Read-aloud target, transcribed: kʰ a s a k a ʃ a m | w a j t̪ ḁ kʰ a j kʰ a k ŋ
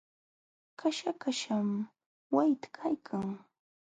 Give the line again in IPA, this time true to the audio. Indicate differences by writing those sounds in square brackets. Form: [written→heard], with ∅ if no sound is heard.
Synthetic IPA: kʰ a [s→ʃ] a k a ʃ a m | w a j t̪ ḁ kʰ a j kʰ a [k→∅] ŋ